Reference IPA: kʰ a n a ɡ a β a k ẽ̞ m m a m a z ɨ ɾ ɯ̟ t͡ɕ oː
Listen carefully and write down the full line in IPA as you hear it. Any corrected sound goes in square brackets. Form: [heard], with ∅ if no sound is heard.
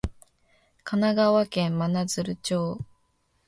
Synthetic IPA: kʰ a n a ɡ a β a k ẽ̞ m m a [n] a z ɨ ɾ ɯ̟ t͡ɕ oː